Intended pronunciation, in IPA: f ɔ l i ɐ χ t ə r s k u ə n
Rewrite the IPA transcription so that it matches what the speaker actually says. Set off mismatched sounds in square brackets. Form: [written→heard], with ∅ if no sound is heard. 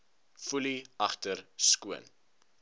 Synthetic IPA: f [ɔ→u] l i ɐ χ t ə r s k u ə n